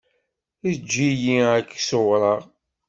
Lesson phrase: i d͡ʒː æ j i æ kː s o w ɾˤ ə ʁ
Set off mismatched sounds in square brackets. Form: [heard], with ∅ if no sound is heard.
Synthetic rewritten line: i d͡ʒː [i] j i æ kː s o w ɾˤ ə ʁ